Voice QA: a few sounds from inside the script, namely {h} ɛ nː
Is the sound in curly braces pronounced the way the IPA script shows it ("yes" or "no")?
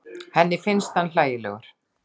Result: yes